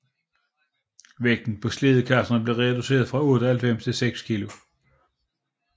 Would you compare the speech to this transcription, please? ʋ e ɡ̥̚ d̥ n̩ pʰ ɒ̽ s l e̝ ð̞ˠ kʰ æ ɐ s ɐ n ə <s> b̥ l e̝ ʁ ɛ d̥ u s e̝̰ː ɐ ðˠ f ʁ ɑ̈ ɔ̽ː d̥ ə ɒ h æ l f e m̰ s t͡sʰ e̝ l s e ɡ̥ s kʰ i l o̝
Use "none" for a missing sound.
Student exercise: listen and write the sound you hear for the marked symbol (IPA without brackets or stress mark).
none